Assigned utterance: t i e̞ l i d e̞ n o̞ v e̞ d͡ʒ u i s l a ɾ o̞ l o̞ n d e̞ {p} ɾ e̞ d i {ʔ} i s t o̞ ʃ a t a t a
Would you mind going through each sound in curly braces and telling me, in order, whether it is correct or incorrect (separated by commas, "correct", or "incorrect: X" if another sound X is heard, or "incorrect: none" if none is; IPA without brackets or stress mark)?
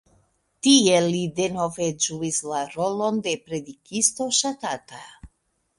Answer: correct, incorrect: k